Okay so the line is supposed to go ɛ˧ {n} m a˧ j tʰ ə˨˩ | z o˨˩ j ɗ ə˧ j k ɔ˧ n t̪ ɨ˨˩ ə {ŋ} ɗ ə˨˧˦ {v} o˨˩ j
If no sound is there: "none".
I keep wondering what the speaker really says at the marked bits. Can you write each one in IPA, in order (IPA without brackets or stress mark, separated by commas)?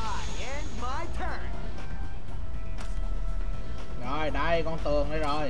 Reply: n, ŋ, z